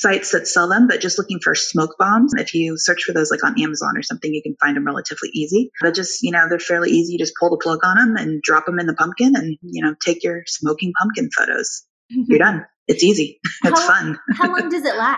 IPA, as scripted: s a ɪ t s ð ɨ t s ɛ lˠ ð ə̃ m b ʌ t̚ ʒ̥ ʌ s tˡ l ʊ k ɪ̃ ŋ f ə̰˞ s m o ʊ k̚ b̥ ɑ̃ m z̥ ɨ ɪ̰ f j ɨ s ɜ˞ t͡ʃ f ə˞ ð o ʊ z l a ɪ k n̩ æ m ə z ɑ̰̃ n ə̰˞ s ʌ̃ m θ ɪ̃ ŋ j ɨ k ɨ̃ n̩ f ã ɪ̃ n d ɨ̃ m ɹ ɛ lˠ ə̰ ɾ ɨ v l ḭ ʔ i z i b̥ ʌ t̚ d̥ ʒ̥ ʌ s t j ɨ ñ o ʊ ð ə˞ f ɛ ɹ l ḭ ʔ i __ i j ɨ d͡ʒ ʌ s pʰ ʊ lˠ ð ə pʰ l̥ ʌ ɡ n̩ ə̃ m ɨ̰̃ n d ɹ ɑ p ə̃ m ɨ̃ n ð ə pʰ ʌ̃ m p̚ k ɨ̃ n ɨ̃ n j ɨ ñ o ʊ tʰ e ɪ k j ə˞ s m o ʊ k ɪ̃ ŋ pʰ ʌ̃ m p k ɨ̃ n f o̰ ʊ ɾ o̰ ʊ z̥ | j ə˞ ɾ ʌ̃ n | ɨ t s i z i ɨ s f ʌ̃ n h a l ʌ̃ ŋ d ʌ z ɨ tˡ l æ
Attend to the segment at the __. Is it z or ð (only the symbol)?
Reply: z